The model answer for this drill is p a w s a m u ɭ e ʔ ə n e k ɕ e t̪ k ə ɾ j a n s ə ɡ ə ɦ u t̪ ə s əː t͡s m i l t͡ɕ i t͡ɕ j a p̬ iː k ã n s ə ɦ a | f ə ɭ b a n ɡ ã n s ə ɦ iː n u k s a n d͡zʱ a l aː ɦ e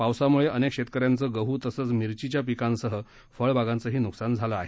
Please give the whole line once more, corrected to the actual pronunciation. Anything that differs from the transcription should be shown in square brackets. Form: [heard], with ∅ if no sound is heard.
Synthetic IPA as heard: p a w s a m u ɭ e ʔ ə n e k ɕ e t̪ k ə ɾ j a n [t͡s] ə ɡ ə ɦ u t̪ ə s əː t͡s m i [ɾ] t͡ɕ i t͡ɕ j a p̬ [i] k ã n s ə ɦ [ə] | f ə ɭ b a [∅] ɡ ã n [t͡s] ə ɦ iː n u k s a n d͡zʱ a l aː ɦ e